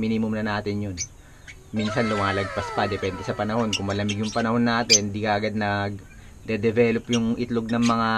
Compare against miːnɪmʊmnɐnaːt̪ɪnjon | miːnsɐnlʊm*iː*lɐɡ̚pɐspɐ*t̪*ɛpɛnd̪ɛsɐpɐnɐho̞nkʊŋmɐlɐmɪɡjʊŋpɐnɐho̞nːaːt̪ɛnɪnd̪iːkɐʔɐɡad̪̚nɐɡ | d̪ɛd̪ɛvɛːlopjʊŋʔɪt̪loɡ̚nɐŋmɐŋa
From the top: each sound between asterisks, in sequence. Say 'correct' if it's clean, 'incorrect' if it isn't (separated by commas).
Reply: incorrect, incorrect